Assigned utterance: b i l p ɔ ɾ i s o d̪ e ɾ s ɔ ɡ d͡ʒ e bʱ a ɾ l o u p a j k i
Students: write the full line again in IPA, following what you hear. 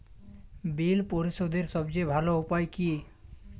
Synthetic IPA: b i l p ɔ ɾ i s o d̪ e ɾ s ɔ b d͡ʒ e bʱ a l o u p a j k i